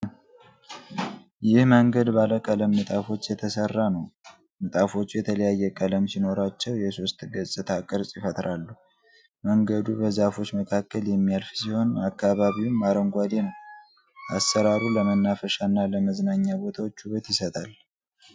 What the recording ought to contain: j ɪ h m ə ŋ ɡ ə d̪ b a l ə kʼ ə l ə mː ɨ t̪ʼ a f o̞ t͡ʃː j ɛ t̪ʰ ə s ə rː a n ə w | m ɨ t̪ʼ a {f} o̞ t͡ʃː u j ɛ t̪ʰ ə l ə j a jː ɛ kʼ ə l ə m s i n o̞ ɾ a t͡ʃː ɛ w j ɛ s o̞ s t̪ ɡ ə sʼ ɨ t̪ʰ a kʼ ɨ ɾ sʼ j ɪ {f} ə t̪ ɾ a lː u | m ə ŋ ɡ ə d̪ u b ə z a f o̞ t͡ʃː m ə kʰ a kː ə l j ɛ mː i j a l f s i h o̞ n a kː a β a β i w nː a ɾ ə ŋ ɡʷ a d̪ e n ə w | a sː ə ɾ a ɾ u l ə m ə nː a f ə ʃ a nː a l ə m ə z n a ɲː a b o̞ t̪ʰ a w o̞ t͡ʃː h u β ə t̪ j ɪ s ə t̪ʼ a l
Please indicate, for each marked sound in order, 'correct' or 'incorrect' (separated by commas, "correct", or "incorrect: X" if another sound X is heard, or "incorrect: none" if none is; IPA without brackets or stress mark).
correct, correct